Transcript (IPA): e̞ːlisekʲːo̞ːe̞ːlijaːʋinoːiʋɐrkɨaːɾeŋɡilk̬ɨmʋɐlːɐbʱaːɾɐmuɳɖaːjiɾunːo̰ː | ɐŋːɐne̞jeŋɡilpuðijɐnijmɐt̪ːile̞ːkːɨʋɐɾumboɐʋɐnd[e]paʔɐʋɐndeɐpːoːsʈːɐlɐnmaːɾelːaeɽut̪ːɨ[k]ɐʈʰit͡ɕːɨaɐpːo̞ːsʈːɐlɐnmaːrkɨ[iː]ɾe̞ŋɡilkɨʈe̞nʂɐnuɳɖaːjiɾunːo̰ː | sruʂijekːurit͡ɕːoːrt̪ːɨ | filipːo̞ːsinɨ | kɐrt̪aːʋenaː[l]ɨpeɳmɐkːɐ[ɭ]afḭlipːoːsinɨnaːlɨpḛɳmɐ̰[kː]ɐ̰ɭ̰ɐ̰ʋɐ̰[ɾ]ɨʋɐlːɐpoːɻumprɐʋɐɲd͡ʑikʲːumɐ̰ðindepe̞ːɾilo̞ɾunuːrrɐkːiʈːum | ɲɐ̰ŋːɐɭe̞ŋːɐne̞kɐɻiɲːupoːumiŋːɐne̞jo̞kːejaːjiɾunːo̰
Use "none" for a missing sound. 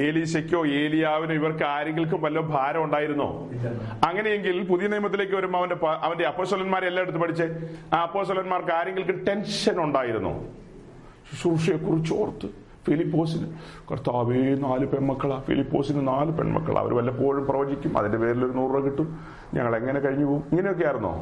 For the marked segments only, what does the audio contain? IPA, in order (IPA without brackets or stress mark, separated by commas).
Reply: e, p, aː, l, ɭ, kː, ɾ